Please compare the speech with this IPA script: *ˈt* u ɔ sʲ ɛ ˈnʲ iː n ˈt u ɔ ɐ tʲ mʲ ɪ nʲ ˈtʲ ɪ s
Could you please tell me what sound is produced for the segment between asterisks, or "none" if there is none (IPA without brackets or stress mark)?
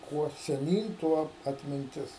k